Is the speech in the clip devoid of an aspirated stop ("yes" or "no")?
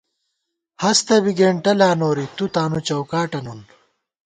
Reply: yes